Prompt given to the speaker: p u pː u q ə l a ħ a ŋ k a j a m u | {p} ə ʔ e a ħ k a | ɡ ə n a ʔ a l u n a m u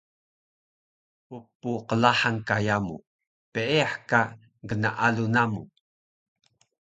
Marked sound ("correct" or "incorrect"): correct